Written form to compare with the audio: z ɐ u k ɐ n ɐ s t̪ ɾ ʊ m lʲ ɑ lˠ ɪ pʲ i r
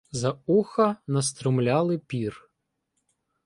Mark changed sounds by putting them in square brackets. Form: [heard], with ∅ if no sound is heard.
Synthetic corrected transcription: z ɐ u [x] ɐ n ɐ s t̪ ɾ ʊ m lʲ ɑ lˠ ɪ pʲ i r